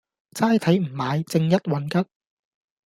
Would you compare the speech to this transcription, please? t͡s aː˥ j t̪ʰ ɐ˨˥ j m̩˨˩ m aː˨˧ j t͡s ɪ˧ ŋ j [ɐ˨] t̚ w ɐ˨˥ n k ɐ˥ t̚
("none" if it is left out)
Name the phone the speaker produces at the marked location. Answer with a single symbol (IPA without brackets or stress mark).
ɐ˥